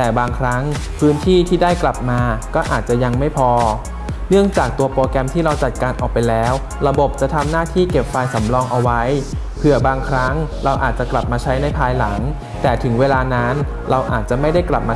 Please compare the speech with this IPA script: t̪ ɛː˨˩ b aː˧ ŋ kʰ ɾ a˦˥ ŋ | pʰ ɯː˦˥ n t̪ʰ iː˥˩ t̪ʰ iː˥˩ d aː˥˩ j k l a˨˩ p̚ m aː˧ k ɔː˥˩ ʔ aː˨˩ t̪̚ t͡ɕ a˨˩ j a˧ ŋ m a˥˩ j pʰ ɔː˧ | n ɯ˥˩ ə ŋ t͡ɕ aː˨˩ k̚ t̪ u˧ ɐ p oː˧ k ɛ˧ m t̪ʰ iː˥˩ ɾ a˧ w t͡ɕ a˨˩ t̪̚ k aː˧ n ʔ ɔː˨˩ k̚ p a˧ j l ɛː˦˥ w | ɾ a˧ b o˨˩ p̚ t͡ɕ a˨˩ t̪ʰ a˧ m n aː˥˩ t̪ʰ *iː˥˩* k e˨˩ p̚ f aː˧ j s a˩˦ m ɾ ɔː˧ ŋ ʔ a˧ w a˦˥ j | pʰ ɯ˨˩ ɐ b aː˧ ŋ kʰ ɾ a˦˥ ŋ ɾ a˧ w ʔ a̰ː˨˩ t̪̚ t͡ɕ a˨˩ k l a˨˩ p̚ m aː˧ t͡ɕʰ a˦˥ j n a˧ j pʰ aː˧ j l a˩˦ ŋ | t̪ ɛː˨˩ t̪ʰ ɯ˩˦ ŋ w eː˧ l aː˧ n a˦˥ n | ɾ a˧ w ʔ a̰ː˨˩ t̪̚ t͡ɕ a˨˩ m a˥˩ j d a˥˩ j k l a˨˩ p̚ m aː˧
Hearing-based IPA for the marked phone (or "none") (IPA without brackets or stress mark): iː˥˩